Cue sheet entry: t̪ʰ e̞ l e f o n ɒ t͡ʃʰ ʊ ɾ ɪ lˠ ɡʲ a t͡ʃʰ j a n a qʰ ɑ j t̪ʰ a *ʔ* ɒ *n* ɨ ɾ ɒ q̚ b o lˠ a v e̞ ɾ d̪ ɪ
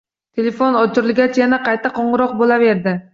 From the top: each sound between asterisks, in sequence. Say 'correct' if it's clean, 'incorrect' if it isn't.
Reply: incorrect: q, incorrect: ɴ

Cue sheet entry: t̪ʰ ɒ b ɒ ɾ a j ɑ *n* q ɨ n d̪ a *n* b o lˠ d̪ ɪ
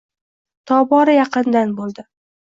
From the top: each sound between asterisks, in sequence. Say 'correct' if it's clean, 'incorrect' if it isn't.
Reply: incorrect: none, correct

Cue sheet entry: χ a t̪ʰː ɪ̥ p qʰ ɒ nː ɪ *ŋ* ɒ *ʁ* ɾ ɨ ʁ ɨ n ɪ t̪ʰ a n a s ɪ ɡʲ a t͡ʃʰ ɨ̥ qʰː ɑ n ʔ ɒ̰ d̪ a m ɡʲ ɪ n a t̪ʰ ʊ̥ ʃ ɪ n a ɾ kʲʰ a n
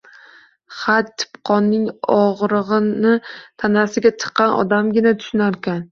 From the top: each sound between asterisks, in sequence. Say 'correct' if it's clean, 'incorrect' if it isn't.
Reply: correct, correct

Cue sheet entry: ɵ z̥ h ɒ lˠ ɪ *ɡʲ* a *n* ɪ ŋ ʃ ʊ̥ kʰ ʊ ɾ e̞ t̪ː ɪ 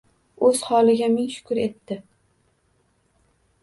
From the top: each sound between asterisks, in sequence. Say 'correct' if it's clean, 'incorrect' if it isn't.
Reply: correct, incorrect: m

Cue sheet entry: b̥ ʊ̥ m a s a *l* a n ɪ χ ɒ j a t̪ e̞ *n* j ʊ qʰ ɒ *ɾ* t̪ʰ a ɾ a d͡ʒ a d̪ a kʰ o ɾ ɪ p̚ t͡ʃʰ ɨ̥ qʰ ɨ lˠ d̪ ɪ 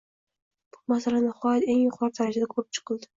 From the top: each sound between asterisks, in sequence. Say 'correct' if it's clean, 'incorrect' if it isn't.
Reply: correct, incorrect: ŋ, correct

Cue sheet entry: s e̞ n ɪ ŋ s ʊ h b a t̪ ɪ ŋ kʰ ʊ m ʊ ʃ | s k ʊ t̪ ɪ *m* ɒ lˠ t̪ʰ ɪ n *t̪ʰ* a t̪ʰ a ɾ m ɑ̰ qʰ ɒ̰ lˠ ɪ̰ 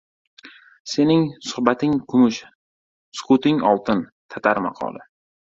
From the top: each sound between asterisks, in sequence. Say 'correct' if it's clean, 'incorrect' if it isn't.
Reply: incorrect: ŋ, correct

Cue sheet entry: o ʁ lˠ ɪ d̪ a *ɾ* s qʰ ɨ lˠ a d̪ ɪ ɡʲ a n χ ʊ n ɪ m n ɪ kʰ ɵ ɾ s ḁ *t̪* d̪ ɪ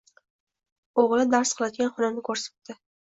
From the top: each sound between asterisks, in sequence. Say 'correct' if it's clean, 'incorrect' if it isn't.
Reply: correct, correct

